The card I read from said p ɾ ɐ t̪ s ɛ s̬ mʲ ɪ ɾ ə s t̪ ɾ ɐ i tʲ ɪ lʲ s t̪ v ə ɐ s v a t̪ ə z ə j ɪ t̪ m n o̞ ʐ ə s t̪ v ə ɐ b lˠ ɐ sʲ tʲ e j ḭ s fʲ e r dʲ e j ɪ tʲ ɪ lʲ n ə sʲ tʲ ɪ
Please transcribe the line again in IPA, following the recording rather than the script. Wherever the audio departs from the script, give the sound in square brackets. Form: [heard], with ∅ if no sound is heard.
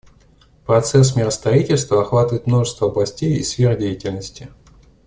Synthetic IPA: p ɾ ɐ t̪ s ɛ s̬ mʲ ɪ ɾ ə s t̪ ɾ ɐ i tʲ ɪ lʲ s t̪ v ə ɐ [x] v a t̪ ə [v] ə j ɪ t̪ m n o̞ ʐ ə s t̪ v ə ɐ b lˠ ɐ sʲ tʲ e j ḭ s fʲ e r dʲ e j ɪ tʲ ɪ lʲ n ə sʲ tʲ ɪ